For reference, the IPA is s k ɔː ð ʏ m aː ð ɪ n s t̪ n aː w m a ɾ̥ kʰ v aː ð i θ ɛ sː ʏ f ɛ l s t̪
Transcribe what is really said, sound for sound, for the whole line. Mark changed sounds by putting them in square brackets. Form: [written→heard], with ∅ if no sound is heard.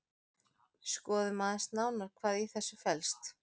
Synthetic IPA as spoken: s k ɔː ð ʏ m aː ð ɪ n s t̪ n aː w [m→n] a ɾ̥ kʰ v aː ð i θ ɛ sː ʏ f ɛ l s t̪